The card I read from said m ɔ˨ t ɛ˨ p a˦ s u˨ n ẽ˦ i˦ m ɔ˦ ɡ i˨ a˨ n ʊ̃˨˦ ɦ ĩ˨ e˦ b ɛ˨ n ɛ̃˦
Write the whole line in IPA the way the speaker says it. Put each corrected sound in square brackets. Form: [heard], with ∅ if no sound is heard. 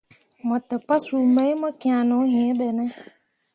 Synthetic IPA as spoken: m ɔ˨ t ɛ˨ p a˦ s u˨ [m] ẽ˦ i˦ m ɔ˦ [k] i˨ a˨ n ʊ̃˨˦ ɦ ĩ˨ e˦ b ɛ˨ n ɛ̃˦